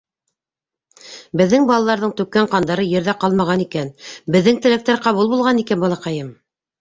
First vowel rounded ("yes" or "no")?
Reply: no